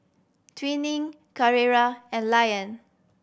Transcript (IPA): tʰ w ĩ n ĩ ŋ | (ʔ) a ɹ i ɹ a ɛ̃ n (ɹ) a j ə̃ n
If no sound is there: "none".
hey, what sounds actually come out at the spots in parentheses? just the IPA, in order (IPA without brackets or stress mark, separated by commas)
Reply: k, l